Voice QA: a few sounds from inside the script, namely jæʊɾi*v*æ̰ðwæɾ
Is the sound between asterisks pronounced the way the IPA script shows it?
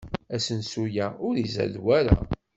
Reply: no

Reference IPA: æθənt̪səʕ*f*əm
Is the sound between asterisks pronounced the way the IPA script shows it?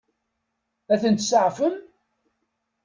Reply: yes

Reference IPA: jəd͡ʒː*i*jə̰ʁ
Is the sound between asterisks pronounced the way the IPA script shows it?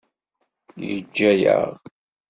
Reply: no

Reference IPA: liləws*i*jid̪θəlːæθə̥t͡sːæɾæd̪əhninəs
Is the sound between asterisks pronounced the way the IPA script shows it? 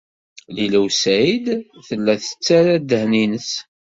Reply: no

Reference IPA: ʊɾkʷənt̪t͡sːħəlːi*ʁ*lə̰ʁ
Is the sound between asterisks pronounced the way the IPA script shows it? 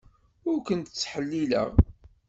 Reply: no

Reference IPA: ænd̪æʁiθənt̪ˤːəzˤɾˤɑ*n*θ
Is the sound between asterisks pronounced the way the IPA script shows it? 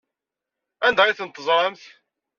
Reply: no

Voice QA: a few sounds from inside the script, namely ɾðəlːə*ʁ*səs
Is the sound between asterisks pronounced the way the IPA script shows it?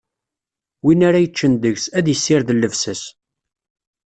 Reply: no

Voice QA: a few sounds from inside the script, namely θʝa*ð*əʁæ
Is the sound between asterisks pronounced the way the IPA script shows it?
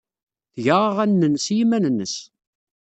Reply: no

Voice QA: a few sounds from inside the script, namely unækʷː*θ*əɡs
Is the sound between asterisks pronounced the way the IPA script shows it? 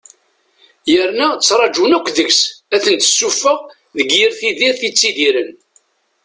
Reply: no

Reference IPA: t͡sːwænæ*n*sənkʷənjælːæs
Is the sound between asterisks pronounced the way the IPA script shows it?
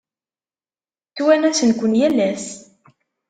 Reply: no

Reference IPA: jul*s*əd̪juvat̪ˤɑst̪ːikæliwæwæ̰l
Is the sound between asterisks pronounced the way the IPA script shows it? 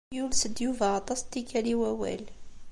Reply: yes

